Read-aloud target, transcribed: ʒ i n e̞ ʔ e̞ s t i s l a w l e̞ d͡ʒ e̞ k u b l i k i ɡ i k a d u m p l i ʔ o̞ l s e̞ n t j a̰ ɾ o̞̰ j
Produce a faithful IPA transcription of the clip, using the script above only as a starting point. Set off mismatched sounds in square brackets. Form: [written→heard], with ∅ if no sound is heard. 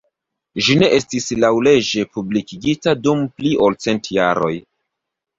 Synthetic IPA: ʒ i n e̞ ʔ e̞ s t i s l a w l e̞ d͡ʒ e̞ [k→p] u b l i k i ɡ i [k→t] a d u m p l i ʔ o̞ l [s→t͡s] e̞ n t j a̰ ɾ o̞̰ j